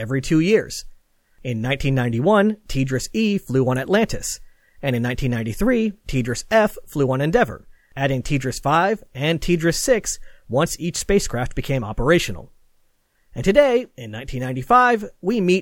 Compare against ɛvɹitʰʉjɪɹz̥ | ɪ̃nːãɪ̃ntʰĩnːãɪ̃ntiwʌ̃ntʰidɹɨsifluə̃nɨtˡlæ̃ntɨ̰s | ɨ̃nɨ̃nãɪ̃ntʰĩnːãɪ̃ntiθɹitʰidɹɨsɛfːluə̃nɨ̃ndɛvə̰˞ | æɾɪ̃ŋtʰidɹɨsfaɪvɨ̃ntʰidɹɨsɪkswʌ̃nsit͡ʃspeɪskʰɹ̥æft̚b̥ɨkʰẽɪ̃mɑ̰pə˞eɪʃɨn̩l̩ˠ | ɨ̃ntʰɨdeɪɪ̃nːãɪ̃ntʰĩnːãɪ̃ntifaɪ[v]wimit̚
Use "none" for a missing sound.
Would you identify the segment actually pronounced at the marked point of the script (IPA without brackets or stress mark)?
v